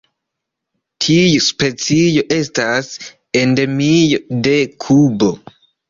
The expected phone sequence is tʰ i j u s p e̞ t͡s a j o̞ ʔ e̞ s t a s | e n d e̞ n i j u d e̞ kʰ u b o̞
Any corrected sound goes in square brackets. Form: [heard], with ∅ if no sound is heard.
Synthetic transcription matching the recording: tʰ i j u s p e̞ t͡s [i] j o̞ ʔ e̞ s t a s | e n d e̞ [m] i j [o] d e̞ kʰ u b o̞